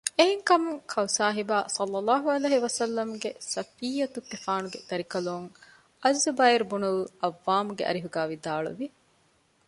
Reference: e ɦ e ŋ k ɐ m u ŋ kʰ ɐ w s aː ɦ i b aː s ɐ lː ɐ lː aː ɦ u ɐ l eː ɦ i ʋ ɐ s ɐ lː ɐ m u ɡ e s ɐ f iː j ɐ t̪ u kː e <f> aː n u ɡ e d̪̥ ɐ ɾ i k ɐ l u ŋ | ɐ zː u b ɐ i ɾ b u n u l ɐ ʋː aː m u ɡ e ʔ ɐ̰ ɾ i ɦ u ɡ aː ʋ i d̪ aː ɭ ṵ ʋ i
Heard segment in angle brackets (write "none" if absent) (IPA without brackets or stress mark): f